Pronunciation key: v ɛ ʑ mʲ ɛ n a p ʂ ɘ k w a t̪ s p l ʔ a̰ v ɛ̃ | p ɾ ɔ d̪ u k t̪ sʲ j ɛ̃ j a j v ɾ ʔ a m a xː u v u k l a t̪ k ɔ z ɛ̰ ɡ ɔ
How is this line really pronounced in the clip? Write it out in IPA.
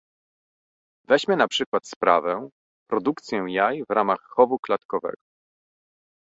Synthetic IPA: v ɛ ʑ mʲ ɛ n a p ʂ ɘ k w a t̪ s p ɾ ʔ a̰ v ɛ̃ | p ɾ ɔ d̪ u k t̪ sʲ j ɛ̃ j a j v ɾ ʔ a m a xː ɔ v u k l a t̪ k ɔ v ɛ̰ ɡ ɔ